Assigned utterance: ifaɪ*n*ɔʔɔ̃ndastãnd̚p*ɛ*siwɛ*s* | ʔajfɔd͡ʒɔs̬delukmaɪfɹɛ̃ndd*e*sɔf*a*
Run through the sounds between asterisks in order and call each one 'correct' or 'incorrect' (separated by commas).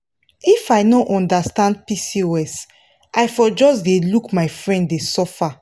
correct, incorrect, correct, correct, correct